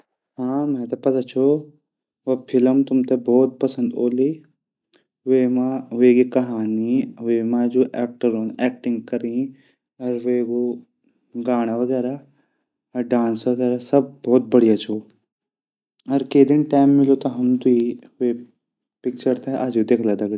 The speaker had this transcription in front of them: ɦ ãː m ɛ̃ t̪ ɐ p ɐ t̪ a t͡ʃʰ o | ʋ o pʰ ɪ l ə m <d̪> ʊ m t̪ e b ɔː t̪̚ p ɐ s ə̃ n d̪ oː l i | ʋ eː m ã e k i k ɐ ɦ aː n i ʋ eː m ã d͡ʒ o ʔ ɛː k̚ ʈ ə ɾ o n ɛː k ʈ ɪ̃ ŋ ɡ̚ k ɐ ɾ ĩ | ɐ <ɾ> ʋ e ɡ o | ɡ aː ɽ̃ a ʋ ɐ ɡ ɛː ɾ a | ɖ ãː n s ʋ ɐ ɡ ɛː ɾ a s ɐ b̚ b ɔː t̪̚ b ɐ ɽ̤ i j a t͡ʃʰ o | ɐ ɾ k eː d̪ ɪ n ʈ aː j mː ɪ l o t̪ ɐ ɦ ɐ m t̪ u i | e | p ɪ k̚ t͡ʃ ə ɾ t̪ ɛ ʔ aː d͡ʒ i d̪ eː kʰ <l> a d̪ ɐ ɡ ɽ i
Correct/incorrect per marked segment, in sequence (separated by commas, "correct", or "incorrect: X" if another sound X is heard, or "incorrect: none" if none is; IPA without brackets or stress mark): incorrect: t̪, correct, correct